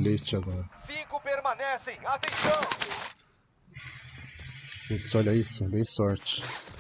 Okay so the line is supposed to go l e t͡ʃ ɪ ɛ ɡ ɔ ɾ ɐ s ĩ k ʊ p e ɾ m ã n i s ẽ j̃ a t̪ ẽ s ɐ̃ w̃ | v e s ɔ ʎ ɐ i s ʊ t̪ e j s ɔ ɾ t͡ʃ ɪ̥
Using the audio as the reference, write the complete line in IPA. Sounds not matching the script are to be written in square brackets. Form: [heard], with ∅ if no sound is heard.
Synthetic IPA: l e t͡ʃ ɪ [a] ɡ ɔ ɾ ɐ s ĩ k ʊ p e ɾ m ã n [ɛ] s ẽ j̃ a t̪ ẽ s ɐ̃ w̃ | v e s ɔ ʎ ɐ i s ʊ [d̪] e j s ɔ ɾ t͡ʃ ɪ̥